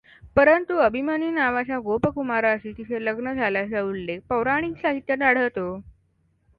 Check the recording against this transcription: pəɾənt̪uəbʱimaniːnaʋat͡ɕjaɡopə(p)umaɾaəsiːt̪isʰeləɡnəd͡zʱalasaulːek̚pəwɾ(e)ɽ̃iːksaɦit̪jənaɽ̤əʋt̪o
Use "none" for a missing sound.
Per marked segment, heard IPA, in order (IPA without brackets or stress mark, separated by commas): k, a